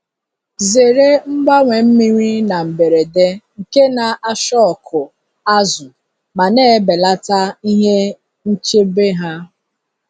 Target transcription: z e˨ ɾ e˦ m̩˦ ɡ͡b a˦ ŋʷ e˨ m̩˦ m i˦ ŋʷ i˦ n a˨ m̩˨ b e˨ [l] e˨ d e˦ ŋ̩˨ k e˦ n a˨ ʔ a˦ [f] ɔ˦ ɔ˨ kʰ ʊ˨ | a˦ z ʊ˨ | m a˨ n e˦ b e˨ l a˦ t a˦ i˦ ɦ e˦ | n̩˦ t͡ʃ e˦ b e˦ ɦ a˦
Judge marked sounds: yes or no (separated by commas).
no, no